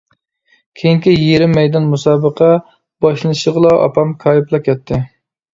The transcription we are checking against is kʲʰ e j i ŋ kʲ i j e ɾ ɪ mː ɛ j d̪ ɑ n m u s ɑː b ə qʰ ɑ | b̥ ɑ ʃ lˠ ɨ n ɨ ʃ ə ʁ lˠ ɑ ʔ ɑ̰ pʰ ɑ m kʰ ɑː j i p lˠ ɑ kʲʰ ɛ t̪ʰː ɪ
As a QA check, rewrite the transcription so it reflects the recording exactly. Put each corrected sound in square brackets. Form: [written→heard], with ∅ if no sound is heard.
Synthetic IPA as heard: kʲʰ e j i ŋ kʲ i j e ɾ ɪ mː ɛ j d̪ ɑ n m u s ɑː b ə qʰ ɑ | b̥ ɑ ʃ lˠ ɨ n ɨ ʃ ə ʁ lˠ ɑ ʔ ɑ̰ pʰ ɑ m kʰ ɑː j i p lˠ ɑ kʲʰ ɛ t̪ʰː ɪ